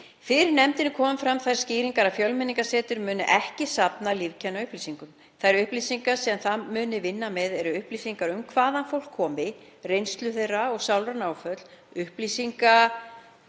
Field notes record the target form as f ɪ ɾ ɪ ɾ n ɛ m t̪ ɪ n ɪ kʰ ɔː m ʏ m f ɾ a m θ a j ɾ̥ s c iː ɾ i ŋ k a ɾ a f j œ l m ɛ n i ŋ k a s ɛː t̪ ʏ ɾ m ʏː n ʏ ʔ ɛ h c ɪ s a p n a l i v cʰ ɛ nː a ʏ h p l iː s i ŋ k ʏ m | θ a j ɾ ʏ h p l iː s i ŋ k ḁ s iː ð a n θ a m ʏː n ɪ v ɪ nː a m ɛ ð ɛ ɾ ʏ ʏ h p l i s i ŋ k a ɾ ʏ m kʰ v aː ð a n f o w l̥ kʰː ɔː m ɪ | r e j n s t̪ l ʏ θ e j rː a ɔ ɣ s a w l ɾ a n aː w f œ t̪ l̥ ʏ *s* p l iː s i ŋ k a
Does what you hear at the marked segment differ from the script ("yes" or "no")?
yes